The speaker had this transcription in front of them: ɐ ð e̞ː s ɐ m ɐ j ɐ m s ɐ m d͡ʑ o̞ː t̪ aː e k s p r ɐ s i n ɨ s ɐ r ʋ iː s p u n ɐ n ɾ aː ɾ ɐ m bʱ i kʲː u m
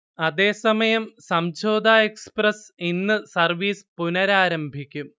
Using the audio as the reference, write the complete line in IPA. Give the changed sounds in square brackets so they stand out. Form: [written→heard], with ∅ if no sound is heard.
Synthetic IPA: ɐ ð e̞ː s ɐ m ɐ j ɐ m s ɐ m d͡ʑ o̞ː [t̪→d̪] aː e k s p r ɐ s i [n→nː] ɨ s ɐ r ʋ iː s p u n ɐ [n→∅] ɾ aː ɾ ɐ m bʱ i kʲː u m